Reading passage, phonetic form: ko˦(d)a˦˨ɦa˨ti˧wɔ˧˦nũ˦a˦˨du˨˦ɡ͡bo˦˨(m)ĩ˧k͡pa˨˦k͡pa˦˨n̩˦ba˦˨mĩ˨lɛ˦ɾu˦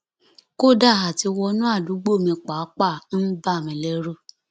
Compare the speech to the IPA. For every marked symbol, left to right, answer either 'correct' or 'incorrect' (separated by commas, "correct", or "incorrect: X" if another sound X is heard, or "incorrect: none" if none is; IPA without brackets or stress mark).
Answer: correct, correct